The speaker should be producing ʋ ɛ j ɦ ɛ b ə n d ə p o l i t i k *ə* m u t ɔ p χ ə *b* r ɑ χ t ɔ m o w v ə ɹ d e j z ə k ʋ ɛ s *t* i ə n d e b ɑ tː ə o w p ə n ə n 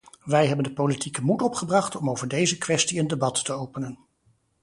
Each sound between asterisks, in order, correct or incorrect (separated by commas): correct, correct, correct